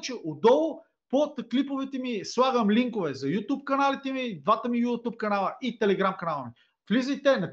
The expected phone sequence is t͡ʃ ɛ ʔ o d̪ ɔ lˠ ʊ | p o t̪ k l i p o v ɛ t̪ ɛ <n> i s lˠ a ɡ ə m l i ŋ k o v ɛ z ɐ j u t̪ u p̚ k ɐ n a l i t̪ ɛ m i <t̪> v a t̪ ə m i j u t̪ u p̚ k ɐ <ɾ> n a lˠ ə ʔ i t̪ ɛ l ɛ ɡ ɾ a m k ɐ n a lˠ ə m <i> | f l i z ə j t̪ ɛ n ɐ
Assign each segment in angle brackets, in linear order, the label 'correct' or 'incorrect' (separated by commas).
incorrect, incorrect, incorrect, correct